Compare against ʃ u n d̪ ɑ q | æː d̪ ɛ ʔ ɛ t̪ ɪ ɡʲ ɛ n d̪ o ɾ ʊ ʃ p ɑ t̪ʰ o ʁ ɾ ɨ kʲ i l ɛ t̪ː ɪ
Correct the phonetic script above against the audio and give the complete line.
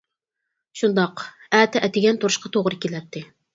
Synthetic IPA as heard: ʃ u n d̪ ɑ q | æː t̪ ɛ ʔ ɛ t̪ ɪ ɡʲ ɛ n t̪ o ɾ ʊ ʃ q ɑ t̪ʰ o ʁ ɾ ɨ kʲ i l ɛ t̪ː ɪ